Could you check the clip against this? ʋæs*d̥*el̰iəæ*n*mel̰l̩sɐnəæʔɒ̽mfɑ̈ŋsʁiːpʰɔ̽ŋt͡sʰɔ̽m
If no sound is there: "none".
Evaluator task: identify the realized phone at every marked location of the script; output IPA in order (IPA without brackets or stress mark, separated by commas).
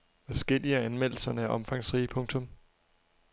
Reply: ɡ̥, n